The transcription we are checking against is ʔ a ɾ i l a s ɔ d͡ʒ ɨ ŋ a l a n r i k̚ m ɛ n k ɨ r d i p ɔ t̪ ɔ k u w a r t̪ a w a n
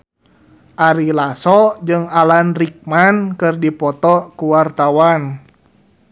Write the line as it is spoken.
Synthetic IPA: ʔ a ɾ i l a s ɔ d͡ʒ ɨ ŋ a l a n r i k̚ m a n k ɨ r d i p ɔ t̪ ɔ k u w a r t̪ a w a n